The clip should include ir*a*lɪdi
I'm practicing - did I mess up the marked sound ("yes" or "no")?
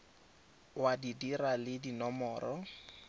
no